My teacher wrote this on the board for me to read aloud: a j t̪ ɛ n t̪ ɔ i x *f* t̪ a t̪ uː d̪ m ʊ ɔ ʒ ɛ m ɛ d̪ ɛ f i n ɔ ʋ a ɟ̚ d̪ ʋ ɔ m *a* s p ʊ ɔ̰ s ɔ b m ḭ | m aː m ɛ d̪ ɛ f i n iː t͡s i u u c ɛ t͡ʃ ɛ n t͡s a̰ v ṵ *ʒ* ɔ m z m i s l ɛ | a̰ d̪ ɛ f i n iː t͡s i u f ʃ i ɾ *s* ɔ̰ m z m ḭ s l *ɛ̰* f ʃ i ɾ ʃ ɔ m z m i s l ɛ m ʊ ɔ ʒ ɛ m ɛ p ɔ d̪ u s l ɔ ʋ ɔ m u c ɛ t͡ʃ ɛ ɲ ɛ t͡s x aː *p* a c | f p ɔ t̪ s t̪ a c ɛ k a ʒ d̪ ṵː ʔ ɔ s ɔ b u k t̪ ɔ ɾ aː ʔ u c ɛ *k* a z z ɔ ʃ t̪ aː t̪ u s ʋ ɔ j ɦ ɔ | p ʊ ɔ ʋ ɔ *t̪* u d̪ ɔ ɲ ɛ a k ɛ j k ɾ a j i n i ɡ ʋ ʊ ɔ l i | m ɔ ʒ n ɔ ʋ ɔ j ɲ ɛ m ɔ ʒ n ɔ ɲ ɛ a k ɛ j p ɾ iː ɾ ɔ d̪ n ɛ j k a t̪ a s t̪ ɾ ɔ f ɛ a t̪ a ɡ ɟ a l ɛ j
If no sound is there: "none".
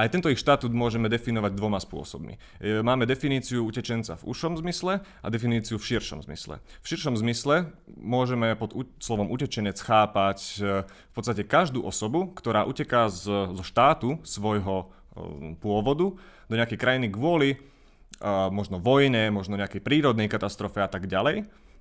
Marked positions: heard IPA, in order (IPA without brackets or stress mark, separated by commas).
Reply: ʃ, a, ʃ, ʃ, ɛ̰, p, k, d̪